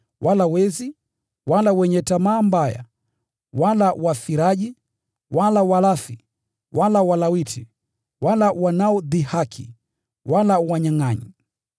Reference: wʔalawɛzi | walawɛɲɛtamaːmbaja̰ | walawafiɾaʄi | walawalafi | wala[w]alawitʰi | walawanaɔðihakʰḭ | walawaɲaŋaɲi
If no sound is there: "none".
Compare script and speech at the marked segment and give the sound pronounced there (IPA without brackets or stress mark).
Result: w